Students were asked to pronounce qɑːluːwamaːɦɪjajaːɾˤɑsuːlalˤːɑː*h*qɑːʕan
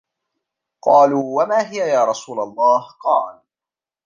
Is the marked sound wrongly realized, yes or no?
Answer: no